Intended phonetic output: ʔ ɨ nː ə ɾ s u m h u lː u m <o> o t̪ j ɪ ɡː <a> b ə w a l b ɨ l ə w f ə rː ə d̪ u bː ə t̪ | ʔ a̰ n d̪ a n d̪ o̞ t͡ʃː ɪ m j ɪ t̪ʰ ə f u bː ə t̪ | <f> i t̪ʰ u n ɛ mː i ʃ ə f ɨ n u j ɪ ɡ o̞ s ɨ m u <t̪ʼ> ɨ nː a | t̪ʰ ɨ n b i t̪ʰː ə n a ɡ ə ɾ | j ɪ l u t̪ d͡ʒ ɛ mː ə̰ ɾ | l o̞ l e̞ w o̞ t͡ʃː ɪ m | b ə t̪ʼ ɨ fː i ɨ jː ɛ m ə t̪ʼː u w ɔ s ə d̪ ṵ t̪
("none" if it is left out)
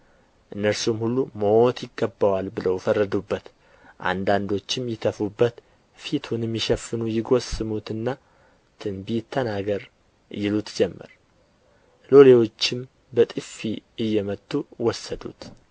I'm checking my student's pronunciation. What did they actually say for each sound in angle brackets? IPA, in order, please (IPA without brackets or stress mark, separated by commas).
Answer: o, ə, f, t̪